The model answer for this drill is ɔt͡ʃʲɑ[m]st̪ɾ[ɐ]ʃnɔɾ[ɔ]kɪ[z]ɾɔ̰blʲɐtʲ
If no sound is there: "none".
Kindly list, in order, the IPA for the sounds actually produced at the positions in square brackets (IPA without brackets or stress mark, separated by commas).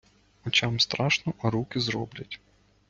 m, ɑ, u, z